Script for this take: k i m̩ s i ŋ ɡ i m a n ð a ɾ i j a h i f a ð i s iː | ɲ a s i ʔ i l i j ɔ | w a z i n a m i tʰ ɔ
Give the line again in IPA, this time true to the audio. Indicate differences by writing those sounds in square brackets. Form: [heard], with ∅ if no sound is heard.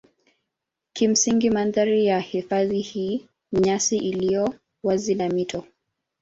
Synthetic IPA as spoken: k i m̩ s i ŋ ɡ i m a n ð a ɾ i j a h i f a ð i [h] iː | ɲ a s i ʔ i l i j ɔ | w a z i n a m i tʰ ɔ